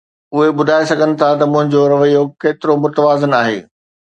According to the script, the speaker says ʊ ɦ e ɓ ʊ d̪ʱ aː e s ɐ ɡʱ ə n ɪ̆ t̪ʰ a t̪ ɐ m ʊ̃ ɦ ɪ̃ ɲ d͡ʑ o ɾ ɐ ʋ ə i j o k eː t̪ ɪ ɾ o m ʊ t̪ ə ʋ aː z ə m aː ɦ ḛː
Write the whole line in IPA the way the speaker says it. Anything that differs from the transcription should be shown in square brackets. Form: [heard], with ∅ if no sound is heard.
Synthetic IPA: ʊ ɦ e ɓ ʊ d̪ʱ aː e s ɐ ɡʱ ə n ɪ̆ t̪ʰ a t̪ ɐ m ʊ̃ ɦ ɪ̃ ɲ d͡ʑ o ɾ ɐ ʋ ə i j o k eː t̪ ɪ ɾ o m ʊ t̪ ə ʋ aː z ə [n] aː ɦ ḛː